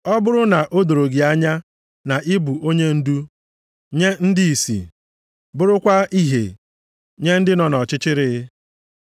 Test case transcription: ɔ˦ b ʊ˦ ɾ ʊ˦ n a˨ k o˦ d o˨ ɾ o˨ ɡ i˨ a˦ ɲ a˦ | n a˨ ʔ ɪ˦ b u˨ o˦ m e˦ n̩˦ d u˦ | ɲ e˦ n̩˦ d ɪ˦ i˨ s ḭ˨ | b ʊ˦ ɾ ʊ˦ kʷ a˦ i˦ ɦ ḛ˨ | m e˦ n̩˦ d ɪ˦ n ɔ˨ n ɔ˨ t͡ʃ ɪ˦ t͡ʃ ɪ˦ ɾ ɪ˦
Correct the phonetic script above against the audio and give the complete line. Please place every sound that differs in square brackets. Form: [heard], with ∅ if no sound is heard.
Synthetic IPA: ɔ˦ b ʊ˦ ɾ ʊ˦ n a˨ [ʔ] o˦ d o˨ ɾ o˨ ɡ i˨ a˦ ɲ a˦ | n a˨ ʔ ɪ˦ b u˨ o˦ [ɲ] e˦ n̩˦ d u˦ | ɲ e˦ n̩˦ d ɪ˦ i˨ s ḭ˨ | b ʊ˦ ɾ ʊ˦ kʷ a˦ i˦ ɦ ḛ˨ | [ɲ] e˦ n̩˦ d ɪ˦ n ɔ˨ n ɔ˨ t͡ʃ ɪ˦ t͡ʃ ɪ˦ ɾ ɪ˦